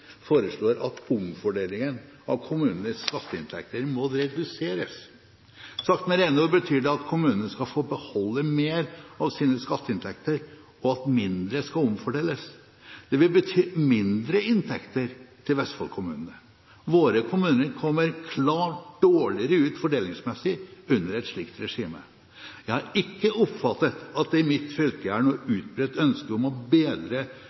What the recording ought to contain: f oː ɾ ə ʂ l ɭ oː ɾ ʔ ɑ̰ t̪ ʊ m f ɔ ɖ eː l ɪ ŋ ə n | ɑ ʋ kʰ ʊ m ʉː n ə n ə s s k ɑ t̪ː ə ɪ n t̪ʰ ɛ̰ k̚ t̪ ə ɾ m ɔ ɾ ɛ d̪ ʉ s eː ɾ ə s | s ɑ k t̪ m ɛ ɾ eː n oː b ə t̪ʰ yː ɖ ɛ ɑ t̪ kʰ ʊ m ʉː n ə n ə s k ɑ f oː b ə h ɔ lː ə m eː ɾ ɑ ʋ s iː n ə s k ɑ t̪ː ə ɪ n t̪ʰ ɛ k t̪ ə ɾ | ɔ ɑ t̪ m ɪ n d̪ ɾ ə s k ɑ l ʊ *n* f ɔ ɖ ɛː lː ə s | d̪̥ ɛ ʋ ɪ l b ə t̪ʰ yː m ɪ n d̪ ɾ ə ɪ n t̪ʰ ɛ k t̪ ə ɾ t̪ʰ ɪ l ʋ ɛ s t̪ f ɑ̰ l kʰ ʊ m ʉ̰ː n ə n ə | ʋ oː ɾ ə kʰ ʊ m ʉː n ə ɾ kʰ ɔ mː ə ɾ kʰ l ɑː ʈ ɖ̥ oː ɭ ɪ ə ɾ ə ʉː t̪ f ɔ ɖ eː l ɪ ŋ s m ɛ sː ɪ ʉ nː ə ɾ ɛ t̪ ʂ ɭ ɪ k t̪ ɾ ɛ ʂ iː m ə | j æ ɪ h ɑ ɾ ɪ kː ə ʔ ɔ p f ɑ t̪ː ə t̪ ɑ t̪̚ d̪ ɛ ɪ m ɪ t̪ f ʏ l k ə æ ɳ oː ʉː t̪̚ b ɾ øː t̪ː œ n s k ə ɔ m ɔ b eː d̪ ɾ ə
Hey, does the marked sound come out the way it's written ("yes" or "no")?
no